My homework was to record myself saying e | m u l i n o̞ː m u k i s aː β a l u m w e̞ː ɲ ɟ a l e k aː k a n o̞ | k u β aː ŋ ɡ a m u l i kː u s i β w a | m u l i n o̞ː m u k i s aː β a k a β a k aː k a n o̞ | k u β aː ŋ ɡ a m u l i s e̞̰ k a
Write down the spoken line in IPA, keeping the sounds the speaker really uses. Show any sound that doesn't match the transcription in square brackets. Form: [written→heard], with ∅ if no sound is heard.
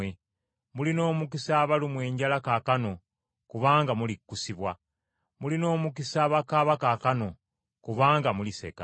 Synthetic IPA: e | m u l i n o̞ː m u k i s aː β a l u m w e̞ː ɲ ɟ a l [e→a] k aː k a n o̞ | k u β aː ŋ ɡ a m u l i kː u s i β w a | m u l i n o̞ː m u k i s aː β a k a β a k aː k a n o̞ | k u β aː ŋ ɡ a m u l i s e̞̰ k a